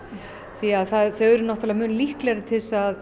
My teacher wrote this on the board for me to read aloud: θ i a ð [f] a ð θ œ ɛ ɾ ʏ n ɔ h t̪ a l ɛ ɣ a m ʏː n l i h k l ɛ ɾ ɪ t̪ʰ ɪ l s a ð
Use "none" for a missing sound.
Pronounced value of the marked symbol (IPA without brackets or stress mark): θ